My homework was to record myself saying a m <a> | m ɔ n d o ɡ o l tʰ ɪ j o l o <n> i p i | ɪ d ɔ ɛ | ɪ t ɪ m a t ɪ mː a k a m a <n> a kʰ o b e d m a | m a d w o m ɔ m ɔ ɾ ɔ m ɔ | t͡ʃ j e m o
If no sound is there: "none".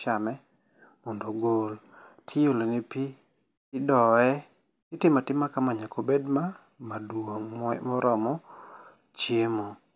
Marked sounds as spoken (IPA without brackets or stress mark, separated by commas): ɛ, n, ɲ